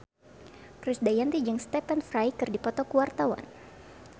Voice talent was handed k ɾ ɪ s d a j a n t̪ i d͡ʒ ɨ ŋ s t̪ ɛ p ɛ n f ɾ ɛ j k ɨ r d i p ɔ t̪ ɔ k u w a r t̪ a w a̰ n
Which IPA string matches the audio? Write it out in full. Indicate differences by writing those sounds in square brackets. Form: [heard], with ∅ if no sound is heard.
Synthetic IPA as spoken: k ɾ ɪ s d a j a n t̪ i d͡ʒ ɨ ŋ s t̪ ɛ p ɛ n f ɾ [a] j k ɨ r d i p ɔ t̪ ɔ k u w a r t̪ a w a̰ n